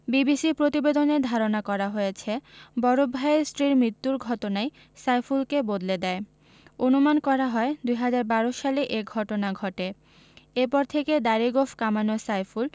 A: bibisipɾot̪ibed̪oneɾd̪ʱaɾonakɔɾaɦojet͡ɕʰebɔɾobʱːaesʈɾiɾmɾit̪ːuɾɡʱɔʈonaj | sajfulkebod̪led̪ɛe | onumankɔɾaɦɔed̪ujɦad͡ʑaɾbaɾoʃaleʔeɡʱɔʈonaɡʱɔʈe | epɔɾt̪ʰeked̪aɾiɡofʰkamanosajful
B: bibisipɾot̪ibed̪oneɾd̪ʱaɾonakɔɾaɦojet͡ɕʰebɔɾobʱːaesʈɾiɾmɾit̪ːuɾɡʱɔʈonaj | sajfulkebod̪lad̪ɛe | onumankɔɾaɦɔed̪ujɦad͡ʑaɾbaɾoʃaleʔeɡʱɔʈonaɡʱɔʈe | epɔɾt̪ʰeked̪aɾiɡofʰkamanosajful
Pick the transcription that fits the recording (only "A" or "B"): A